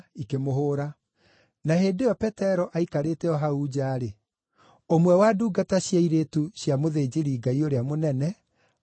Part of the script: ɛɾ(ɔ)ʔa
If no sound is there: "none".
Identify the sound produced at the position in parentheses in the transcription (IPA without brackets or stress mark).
ɔ